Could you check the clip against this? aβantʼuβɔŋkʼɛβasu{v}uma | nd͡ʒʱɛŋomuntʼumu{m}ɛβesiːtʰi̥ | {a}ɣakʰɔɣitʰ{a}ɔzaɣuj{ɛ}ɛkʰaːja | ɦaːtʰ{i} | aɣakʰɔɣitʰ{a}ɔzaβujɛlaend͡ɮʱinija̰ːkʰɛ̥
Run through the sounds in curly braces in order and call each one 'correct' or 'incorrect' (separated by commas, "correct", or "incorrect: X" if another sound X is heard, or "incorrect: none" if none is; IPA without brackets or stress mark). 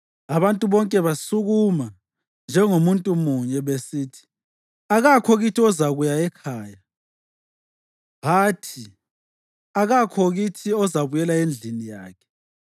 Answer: incorrect: ɣ, incorrect: ɲ, correct, incorrect: i, incorrect: a, correct, incorrect: i